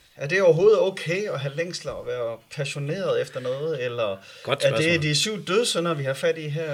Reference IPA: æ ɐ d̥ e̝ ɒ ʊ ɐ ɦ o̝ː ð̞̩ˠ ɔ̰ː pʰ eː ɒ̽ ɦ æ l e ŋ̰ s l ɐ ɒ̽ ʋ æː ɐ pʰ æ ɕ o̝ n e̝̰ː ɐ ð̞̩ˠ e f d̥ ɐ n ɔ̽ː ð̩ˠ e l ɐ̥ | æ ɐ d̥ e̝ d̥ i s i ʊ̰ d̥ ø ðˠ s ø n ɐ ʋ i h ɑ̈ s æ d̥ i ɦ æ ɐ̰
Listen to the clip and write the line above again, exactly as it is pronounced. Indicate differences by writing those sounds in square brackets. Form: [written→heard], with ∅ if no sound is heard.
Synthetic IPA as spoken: æ ɐ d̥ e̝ ɒ ʊ ɐ ɦ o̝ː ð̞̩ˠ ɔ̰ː [pʰ→kʰ] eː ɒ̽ ɦ æ l e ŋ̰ s l ɐ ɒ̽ ʋ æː ɐ pʰ æ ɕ o̝ n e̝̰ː ɐ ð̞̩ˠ e f d̥ ɐ n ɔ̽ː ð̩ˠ e l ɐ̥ | æ ɐ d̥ e̝ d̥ i s [i→y] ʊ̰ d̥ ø ðˠ s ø n ɐ ʋ i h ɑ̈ [s→f] æ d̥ i ɦ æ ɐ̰